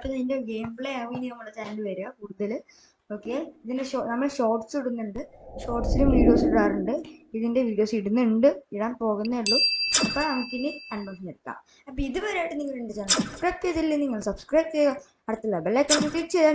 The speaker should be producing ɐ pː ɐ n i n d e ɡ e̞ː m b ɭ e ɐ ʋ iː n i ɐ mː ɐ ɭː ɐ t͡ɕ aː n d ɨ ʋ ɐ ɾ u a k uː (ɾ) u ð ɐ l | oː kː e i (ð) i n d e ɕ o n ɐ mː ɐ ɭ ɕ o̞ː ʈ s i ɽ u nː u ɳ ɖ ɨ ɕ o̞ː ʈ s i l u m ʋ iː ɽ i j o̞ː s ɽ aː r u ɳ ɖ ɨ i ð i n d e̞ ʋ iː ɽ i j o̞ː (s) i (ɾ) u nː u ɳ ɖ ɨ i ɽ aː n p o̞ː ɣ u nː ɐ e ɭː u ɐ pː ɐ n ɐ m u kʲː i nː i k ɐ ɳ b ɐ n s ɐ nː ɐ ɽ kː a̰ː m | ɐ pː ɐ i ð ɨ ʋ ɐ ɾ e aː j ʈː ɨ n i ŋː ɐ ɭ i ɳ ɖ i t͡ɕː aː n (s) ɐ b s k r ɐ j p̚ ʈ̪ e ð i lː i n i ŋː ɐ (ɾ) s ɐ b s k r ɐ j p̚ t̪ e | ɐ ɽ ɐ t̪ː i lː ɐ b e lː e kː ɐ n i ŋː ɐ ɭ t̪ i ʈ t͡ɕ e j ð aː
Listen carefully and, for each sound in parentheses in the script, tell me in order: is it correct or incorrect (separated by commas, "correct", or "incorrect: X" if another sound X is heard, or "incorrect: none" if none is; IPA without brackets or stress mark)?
incorrect: ɽ, correct, correct, incorrect: ɽ, correct, incorrect: ɭ